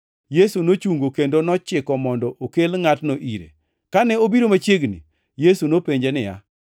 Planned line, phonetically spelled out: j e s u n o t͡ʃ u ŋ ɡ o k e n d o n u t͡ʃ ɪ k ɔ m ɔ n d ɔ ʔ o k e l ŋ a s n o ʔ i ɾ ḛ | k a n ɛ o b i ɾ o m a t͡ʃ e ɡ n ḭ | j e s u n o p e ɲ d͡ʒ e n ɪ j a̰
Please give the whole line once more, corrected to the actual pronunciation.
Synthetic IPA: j e s u n o t͡ʃ u ŋ ɡ o k e n d o n ɔ t͡ʃ ɪ k ɔ m ɔ n d ɔ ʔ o k e l ŋ a t n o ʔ i ɾ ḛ | k a n ɛ o b i ɾ o m a t͡ʃ e ɡ n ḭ | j e s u n o p e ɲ d͡ʒ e n ɪ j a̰